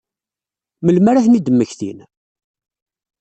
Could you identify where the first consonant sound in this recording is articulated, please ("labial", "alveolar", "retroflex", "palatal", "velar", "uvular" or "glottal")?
labial